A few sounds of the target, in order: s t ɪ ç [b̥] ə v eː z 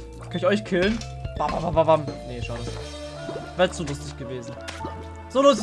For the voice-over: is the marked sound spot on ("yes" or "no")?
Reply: no